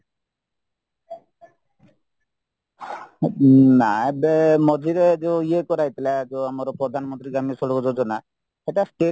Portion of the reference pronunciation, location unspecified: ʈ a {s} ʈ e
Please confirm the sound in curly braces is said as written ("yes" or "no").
yes